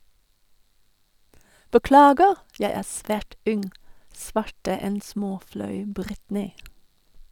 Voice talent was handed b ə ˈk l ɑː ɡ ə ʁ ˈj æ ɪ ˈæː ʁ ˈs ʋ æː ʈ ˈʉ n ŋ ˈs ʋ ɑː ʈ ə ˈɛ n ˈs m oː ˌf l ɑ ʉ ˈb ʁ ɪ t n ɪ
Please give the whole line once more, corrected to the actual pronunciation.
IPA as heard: b ə ˈk l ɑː ɡ ə ʁ ˈj æ ɪ ˈæː ʁ ˈs ʋ æː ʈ ˈʉ n ŋ ˈs ʋ ɑ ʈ ə ˈɛ n ˈs m oː ˌf l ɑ ʉ ˈb ʁ ɪ t n ɪ